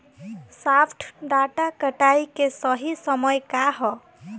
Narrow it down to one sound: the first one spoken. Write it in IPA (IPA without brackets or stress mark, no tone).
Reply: s